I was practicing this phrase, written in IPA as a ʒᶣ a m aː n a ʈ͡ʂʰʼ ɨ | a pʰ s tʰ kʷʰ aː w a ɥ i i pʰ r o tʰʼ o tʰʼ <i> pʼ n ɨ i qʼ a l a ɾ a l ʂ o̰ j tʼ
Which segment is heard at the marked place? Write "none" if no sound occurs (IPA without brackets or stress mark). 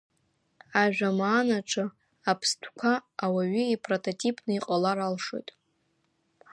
i